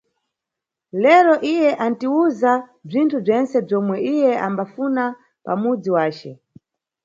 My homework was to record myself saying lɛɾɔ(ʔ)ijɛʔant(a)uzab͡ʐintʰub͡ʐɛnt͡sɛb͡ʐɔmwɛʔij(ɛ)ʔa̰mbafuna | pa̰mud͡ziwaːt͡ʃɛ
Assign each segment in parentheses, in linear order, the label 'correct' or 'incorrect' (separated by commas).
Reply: correct, incorrect, correct